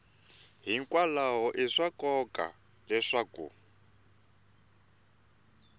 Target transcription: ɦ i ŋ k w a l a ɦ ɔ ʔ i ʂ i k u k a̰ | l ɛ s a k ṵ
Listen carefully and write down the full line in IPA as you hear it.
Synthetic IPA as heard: ɦ i ŋ k w a l a ɦ ɔ ʔ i ʂ a k ɔ k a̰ | l ɛ ʂ a k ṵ